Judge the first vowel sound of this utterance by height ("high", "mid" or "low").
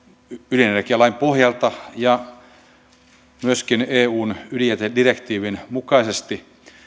high